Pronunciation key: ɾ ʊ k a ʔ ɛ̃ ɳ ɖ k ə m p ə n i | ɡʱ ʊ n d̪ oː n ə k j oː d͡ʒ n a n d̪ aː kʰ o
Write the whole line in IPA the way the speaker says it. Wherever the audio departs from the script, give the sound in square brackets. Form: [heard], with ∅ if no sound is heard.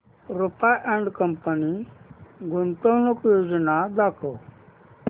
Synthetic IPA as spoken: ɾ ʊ [p] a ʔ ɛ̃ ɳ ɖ k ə m p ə n i | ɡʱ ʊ n [t̪] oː n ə k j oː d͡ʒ n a [∅] d̪ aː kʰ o